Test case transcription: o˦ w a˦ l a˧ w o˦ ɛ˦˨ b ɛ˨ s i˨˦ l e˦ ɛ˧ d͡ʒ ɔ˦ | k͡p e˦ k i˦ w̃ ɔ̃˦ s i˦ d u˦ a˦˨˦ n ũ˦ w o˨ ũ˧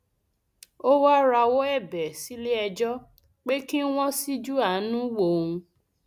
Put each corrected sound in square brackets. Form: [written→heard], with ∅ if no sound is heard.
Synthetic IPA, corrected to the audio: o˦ w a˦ [l→ɾ] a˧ w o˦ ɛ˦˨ b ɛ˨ s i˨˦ l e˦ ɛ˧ d͡ʒ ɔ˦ | k͡p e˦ k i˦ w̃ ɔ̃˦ s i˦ [d→d͡ʒ] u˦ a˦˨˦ n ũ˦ w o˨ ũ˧